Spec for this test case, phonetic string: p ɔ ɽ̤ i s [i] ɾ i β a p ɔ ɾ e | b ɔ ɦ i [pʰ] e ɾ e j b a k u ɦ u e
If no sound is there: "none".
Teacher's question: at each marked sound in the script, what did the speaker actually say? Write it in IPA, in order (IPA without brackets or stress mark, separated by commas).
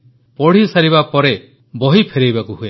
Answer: a, pʰ